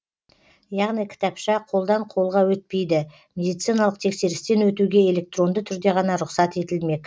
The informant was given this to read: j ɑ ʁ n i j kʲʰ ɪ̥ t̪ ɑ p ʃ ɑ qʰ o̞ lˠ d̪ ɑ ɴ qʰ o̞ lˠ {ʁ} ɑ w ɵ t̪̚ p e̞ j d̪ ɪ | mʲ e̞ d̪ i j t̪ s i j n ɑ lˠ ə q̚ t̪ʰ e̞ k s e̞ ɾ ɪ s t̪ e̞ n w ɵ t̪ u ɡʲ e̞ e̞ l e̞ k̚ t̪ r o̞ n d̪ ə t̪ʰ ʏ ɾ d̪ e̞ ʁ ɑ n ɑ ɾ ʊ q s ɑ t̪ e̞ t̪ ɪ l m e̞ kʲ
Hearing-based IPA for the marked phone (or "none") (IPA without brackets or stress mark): ʁ